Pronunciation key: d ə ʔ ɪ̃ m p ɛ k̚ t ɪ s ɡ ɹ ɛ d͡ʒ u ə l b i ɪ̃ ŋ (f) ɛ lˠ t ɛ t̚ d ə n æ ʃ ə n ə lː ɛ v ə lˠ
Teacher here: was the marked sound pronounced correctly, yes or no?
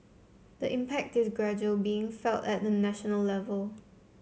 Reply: yes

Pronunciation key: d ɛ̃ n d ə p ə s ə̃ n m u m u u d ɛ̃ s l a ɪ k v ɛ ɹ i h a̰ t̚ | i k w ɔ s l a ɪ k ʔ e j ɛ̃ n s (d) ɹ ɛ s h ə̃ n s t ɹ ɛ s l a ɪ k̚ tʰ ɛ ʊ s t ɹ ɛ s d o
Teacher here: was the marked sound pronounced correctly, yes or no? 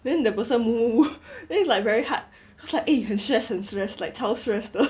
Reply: no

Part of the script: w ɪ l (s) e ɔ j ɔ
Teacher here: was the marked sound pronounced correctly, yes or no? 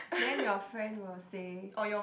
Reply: yes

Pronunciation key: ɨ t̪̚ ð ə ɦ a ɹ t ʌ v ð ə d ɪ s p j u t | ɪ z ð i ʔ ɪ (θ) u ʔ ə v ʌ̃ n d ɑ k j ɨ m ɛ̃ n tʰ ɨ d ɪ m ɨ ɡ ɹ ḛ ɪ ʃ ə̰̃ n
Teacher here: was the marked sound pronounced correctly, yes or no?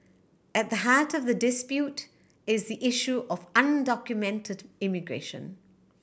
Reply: no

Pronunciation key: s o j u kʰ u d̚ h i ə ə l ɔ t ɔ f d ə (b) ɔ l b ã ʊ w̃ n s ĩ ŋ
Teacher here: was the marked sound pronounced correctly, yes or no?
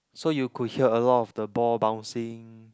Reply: yes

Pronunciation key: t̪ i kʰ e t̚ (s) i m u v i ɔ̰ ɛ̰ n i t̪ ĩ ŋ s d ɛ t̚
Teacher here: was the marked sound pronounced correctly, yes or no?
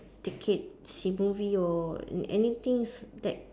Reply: yes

